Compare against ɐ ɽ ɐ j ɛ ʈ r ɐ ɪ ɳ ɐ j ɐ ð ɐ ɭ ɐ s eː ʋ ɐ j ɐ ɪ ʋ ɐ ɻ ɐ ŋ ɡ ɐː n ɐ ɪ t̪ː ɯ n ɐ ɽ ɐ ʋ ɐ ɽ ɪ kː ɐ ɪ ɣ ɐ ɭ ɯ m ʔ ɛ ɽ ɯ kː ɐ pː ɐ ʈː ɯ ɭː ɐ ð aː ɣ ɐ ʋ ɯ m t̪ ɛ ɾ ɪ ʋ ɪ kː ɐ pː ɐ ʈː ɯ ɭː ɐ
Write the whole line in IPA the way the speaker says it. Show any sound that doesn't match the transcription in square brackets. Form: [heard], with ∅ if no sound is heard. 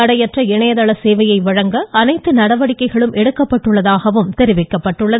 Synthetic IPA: ɐ ɽ ɐ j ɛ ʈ r ɐ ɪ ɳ ɐ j ɐ ð ɐ ɭ ɐ s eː ʋ ɐ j ɐ ɪ ʋ ɐ ɻ ɐ ŋ ɡ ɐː n ɐ ɪ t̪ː ɯ n ɐ ɽ ɐ ʋ ɐ ɽ ɪ kː ɐ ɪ ɣ ɐ ɭ ɯ m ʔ ɛ ɽ ɯ kː ɐ pː ɐ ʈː ɯ ɭː ɐ ð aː ɣ ɐ ʋ ɯ m t̪ ɛ ɾ ɪ ʋ ɪ kː ɐ pː ɐ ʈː ɯ ɭː ɐ